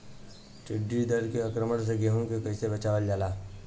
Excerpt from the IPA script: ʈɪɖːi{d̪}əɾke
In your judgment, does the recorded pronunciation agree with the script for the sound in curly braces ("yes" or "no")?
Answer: yes